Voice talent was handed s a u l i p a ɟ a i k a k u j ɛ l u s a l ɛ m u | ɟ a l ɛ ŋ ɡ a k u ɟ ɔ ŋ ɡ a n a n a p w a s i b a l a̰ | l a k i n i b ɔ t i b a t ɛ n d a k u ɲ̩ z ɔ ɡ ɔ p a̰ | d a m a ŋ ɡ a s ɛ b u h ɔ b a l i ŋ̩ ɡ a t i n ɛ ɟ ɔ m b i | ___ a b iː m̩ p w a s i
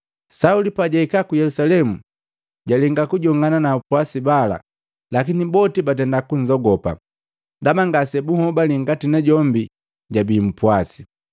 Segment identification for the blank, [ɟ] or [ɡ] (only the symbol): ɟ